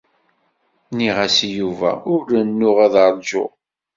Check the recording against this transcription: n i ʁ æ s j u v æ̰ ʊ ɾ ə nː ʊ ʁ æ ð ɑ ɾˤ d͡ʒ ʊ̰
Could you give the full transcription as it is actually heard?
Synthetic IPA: n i ʁ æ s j u v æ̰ ʊ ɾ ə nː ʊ ʁ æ ð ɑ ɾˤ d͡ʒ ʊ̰